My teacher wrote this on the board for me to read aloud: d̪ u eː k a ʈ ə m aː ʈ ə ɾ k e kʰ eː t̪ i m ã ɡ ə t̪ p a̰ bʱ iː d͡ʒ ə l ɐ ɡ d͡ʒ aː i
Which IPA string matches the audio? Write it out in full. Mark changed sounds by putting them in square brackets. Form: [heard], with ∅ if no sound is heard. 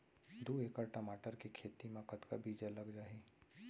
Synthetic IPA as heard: d̪ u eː k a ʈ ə m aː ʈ ə ɾ k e kʰ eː t̪ i m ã [k] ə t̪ [k] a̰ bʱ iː d͡ʒ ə l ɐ ɡ d͡ʒ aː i